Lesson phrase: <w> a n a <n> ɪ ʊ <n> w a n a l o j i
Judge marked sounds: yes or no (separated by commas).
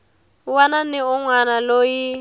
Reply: yes, yes, no